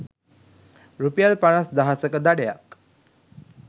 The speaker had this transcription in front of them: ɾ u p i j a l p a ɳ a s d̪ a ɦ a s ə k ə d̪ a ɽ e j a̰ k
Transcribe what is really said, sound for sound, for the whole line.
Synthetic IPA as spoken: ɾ u p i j a l p a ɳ a s d̪ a ɦ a s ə k ə d̪ a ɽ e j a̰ k